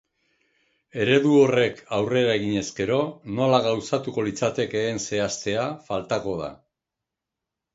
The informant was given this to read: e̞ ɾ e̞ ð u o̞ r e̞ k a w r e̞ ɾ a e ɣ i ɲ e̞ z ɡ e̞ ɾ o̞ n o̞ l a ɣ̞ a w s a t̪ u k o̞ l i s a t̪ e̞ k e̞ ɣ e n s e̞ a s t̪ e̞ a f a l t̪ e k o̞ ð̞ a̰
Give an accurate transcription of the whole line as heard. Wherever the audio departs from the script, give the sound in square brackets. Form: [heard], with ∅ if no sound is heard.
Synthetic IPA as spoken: e̞ ɾ e̞ ð u o̞ r e̞ k a w r e̞ ɾ a e ɣ i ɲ e̞ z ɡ e̞ ɾ o̞ n o̞ l a ɣ̞ a w s a t̪ u k o̞ l i [t͡s] a t̪ e̞ k e̞ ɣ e n s e̞ a s t̪ e̞ a f a l t̪ [a] k o̞ ð̞ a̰